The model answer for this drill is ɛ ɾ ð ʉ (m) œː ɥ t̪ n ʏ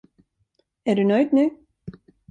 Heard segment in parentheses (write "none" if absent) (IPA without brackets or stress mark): n